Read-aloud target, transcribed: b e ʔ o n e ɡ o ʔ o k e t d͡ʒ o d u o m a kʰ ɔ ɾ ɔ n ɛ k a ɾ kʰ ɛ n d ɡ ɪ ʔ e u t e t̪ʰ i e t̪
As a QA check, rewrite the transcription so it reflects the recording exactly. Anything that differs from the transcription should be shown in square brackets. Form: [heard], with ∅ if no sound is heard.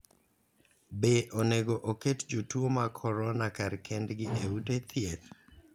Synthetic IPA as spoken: b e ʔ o n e ɡ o ʔ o k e t d͡ʒ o [t] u o m a kʰ ɔ ɾ ɔ n [a] k a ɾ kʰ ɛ n d ɡ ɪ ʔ e u t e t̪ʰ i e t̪